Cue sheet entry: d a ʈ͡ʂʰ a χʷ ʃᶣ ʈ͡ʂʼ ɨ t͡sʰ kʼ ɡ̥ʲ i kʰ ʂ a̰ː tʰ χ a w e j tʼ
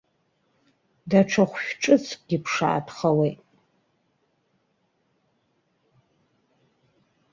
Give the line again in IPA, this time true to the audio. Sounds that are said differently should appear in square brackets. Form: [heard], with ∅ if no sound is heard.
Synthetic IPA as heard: d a ʈ͡ʂʰ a χʷ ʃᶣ ʈ͡ʂʼ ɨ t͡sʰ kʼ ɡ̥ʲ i [pʰ] ʂ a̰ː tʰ χ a w e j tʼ